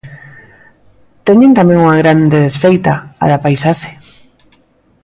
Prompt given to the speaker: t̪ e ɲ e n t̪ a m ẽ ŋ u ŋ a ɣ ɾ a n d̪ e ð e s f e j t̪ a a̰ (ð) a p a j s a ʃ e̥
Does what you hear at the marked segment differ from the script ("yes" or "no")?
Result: no